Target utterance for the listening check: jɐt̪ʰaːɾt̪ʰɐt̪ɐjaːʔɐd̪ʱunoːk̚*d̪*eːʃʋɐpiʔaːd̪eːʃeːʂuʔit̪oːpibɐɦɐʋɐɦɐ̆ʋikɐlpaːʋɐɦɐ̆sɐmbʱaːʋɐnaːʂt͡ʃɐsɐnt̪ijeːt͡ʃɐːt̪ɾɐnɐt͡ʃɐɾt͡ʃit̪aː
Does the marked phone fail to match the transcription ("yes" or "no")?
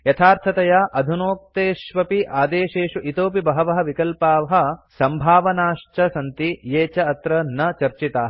yes